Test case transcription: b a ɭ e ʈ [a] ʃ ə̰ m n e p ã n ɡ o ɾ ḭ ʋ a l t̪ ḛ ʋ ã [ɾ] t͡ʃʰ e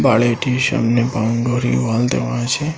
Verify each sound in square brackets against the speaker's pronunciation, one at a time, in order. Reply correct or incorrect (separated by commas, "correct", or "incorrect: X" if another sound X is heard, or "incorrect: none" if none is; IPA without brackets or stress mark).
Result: incorrect: i, incorrect: none